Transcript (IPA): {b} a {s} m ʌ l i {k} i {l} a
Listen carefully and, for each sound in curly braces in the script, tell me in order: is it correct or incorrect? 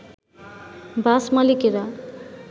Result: correct, correct, correct, incorrect

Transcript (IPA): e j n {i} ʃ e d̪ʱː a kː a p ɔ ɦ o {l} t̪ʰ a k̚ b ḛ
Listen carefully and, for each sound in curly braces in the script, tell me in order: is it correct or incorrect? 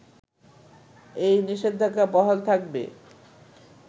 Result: correct, correct

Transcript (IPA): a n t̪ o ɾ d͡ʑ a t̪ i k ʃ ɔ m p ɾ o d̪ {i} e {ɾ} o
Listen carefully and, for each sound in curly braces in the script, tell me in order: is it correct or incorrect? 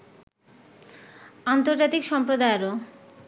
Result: incorrect, correct

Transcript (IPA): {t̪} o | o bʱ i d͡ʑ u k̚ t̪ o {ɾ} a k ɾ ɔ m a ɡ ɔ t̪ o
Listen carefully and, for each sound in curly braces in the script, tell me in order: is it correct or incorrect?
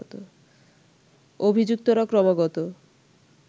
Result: correct, correct

